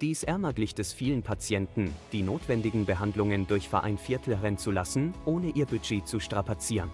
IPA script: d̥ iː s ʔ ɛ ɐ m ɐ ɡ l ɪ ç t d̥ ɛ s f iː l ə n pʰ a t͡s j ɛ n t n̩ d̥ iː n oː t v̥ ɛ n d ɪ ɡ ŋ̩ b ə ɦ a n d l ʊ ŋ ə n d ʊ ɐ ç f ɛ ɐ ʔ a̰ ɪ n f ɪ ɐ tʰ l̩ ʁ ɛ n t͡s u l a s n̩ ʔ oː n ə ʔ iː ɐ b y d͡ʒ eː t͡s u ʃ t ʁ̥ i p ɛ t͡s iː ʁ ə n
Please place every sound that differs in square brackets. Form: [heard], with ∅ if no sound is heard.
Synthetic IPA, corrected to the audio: d̥ iː s ʔ ɛ ɐ m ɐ ɡ l ɪ ç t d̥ ɛ s f iː l ə n pʰ a t͡s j ɛ n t n̩ d̥ iː n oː t v̥ ɛ n d ɪ ɡ ŋ̩ b ə ɦ a n d l ʊ ŋ ə n d ʊ ɐ ç f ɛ ɐ ʔ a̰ ɪ n f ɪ ɐ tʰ l̩ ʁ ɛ n t͡s u l a s n̩ ʔ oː n ə ʔ iː ɐ b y d͡ʒ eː t͡s u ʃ t ʁ̥ [a] p [a] t͡s iː ʁ ə n